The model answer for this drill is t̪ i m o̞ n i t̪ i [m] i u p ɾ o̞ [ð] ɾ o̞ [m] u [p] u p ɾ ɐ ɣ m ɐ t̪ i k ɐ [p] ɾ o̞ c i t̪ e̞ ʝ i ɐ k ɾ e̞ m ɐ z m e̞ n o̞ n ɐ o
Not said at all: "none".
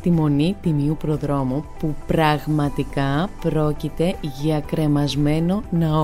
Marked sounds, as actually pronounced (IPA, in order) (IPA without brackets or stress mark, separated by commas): m, ð, m, p, p